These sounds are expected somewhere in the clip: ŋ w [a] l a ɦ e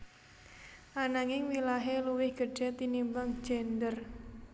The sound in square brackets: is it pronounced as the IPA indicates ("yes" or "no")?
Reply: no